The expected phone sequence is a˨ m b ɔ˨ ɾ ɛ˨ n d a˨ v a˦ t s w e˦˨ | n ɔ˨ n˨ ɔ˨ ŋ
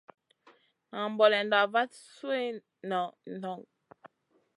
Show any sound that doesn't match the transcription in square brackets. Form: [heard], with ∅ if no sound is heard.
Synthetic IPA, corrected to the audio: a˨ m b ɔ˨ [l] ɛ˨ n d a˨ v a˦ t s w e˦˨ | n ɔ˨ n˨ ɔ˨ ŋ